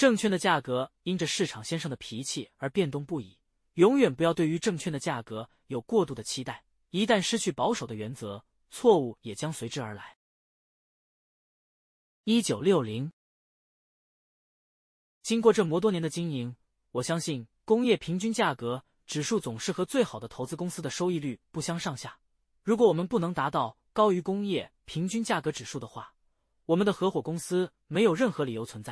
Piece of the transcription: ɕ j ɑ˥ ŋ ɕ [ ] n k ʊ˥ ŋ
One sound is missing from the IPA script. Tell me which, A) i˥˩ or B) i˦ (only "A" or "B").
A